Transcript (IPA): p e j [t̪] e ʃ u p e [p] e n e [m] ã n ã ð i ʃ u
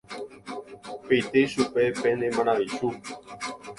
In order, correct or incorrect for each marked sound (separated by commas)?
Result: correct, correct, correct